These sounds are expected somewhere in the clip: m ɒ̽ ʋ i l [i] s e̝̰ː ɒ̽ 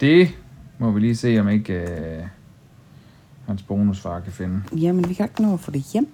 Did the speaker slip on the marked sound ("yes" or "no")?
yes